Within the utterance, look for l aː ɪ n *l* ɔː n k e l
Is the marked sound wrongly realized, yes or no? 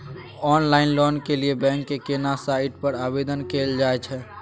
no